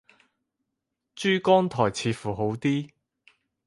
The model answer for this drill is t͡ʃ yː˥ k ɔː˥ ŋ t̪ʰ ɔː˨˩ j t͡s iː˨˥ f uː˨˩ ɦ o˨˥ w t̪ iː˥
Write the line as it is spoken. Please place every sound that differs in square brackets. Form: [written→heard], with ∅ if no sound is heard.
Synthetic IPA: t͡ʃ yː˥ k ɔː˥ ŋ t̪ʰ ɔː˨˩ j [t͡s→t͡sʰ] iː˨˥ f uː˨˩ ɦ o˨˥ w t̪ iː˥

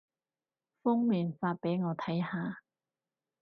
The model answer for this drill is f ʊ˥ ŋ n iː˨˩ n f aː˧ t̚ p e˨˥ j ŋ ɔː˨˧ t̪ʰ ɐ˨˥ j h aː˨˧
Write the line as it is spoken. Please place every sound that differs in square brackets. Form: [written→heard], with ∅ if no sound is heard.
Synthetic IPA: f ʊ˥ ŋ [n→m] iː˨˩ n f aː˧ t̚ p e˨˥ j ŋ ɔː˨˧ t̪ʰ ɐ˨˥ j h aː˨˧

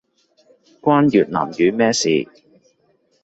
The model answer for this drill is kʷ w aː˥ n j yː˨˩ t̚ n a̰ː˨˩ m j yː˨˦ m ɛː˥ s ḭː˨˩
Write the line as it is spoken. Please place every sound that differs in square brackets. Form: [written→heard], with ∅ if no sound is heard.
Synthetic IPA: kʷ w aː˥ n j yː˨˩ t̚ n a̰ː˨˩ m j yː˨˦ m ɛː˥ s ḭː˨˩

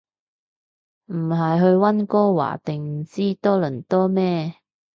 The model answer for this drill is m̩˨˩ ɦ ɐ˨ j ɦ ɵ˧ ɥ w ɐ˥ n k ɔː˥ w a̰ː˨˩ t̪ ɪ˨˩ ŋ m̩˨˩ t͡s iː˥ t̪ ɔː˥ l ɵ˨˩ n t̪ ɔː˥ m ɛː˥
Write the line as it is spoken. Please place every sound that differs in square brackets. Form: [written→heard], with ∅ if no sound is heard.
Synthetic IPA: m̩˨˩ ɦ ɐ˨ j ɦ ɵ˧ ɥ w ɐ˥ n k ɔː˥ w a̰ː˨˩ t̪ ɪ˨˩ ŋ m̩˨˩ t͡s iː˥ t̪ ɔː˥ l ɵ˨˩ n t̪ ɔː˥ m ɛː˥

